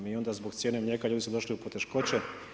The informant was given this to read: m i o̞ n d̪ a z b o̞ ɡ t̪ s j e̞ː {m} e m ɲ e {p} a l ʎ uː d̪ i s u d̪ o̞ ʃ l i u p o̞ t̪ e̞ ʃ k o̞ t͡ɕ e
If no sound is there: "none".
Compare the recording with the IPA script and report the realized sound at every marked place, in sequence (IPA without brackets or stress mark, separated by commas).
n, k